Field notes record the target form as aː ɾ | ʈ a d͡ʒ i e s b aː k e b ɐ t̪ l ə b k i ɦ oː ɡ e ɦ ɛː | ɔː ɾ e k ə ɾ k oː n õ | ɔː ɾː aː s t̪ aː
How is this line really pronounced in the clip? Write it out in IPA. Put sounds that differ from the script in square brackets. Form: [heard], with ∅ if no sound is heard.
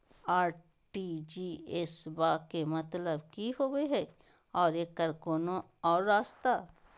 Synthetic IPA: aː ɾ | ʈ [i] d͡ʒ i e s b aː k e [m] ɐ t̪ l ə b k i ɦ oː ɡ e ɦ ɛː | ɔː ɾ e k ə ɾ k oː n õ | ɔː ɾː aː s t̪ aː